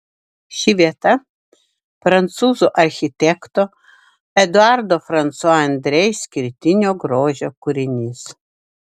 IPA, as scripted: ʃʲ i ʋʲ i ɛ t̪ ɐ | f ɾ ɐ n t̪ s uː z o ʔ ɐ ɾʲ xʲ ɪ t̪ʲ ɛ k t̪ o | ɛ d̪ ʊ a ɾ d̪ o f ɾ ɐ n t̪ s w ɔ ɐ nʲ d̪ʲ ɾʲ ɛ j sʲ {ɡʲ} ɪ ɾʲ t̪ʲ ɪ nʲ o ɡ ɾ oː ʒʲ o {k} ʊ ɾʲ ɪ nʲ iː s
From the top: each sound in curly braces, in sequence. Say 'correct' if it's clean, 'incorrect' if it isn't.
incorrect: kʲ, correct

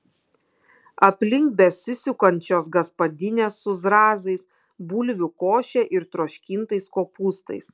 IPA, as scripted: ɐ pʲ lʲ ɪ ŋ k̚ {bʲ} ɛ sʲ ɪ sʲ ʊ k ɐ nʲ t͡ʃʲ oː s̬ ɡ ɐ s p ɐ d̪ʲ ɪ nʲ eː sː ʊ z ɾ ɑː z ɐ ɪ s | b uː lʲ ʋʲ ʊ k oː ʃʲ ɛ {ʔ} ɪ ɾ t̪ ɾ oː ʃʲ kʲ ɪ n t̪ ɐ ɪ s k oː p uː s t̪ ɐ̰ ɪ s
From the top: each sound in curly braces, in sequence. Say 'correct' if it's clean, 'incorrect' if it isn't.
correct, correct

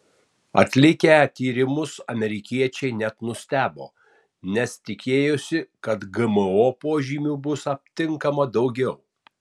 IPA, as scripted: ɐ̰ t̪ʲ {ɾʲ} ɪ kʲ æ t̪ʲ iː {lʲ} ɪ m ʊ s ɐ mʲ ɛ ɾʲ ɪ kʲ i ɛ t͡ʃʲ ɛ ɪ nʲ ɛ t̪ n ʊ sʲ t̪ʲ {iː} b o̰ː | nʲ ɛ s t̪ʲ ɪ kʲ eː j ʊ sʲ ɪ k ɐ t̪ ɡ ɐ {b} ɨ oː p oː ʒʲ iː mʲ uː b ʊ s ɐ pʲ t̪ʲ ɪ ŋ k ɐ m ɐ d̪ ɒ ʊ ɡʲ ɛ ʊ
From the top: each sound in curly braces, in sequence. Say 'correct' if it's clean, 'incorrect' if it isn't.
incorrect: lʲ, incorrect: ɾʲ, incorrect: æː, incorrect: m

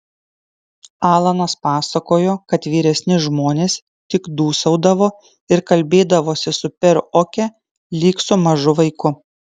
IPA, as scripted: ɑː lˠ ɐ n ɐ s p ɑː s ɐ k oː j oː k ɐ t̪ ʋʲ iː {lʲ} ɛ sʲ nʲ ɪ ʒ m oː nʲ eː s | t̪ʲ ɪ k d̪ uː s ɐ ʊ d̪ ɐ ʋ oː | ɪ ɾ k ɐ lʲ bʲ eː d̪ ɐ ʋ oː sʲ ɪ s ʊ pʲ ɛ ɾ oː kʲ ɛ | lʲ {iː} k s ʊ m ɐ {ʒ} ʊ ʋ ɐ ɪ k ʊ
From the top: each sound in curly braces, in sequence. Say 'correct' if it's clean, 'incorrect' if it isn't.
incorrect: ɾʲ, correct, correct

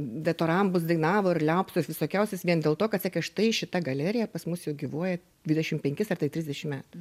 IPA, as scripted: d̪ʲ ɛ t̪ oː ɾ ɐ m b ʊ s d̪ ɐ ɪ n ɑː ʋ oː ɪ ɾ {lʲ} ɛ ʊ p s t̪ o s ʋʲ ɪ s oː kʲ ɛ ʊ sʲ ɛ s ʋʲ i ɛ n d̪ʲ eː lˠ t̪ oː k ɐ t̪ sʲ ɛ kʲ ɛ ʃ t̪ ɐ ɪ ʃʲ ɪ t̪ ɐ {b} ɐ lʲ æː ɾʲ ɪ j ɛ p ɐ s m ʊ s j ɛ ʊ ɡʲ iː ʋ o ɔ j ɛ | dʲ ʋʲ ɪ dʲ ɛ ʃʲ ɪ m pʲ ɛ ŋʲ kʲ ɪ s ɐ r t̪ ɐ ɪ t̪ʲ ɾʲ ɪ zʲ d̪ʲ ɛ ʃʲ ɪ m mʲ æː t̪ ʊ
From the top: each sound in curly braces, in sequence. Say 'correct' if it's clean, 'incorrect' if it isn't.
correct, incorrect: ɡ

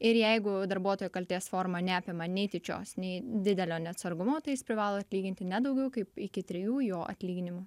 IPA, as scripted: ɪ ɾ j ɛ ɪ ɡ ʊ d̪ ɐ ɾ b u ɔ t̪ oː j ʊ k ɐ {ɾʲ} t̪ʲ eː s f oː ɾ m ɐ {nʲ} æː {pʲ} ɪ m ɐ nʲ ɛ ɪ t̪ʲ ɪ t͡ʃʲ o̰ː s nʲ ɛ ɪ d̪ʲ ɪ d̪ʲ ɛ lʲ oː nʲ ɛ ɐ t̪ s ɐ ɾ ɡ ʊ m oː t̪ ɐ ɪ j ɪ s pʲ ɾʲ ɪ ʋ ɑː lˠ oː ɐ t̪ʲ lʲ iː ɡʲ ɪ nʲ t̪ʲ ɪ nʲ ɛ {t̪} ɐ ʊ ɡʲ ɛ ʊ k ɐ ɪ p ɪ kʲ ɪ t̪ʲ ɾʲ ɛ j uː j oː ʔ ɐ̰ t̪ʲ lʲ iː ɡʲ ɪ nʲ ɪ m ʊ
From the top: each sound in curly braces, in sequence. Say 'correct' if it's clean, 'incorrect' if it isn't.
incorrect: lʲ, correct, correct, incorrect: d̪

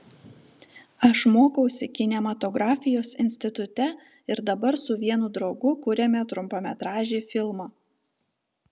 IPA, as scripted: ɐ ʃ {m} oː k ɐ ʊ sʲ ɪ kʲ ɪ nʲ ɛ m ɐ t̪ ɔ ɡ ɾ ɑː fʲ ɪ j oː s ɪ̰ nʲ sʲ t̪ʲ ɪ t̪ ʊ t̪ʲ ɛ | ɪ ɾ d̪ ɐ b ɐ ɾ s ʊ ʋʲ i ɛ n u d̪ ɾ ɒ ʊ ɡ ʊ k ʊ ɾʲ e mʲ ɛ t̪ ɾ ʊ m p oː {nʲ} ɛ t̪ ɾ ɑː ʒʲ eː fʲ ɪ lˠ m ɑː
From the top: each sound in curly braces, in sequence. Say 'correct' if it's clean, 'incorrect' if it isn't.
correct, incorrect: mʲ

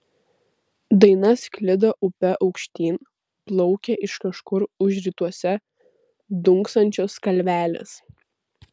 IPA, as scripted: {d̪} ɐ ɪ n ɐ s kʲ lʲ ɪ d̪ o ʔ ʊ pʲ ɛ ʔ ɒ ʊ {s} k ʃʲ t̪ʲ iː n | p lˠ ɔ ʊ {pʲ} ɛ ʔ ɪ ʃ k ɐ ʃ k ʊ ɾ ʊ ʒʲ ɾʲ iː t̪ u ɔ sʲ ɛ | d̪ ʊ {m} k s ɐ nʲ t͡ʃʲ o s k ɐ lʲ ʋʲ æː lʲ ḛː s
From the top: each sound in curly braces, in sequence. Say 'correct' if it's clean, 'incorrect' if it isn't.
correct, incorrect: none, incorrect: kʲ, incorrect: ŋ

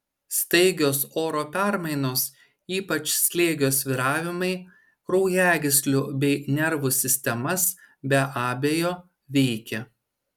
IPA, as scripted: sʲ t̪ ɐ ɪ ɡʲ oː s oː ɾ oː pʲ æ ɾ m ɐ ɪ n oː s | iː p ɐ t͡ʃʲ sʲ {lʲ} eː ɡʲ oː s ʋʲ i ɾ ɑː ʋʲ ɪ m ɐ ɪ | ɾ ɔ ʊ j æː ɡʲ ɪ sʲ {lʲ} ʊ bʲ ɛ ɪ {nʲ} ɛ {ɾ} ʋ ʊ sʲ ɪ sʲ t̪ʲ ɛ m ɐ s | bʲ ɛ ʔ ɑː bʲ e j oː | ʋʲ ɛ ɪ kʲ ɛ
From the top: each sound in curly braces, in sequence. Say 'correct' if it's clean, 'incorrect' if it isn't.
correct, correct, correct, correct

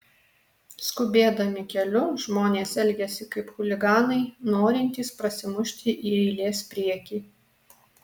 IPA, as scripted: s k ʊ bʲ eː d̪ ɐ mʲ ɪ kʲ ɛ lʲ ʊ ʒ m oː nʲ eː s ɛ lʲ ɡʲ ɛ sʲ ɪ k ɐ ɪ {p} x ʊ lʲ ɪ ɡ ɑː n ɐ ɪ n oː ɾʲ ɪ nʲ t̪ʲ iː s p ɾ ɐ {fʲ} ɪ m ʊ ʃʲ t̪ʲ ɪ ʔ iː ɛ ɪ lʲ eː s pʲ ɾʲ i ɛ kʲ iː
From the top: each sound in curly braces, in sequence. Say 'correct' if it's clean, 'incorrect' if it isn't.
correct, incorrect: sʲ

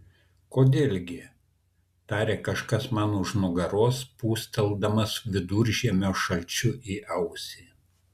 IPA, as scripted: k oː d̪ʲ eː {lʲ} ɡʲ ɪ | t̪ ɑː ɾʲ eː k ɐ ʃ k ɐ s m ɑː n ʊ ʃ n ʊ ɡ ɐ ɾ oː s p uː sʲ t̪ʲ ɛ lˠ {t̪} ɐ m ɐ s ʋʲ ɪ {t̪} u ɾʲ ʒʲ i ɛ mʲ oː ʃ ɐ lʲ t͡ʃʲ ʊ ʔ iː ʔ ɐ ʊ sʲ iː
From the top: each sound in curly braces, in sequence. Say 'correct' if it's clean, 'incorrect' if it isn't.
correct, incorrect: d̪, incorrect: d̪

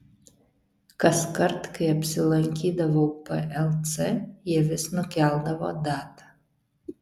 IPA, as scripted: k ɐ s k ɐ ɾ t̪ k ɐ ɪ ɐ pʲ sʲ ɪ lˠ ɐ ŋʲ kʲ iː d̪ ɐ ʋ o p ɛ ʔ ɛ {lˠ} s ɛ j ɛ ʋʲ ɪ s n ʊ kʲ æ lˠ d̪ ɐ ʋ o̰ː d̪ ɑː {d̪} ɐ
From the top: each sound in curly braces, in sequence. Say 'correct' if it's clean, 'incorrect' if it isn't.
correct, incorrect: t̪

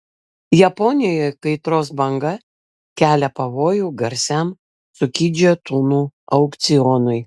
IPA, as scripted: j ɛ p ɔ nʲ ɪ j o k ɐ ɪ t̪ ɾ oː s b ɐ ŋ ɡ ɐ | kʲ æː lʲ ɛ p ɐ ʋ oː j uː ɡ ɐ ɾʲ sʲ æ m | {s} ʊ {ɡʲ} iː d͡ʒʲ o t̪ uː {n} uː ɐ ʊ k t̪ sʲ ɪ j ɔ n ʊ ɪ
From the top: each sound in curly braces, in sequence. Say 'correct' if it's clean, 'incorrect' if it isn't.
correct, incorrect: kʲ, correct

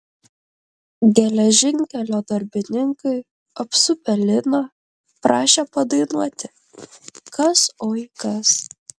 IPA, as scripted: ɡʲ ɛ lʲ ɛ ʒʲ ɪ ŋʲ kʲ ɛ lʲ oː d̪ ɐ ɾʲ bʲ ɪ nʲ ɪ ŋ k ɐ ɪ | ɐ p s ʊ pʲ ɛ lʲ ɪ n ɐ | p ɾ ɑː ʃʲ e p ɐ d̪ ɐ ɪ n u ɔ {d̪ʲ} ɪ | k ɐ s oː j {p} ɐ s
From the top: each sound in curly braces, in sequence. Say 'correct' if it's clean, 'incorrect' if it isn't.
incorrect: t̪ʲ, incorrect: k

